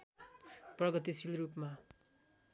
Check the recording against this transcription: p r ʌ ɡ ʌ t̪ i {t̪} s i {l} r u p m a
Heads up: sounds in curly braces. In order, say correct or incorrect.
incorrect, correct

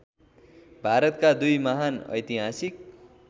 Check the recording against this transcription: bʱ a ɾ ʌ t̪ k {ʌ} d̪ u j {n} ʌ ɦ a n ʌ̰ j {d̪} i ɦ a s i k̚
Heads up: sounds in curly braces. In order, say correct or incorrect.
incorrect, incorrect, incorrect

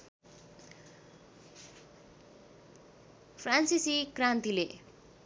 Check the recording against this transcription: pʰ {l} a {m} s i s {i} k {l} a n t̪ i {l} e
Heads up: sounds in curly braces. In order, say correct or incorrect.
incorrect, incorrect, correct, incorrect, correct

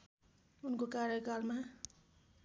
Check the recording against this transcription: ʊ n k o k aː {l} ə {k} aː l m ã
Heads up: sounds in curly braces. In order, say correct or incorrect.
incorrect, correct

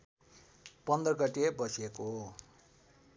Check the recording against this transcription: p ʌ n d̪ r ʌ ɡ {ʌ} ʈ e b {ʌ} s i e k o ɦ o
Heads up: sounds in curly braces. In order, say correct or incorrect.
correct, correct

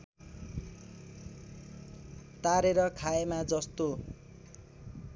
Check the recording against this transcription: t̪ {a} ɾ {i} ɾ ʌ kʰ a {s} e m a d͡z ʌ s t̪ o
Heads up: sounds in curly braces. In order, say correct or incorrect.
correct, incorrect, incorrect

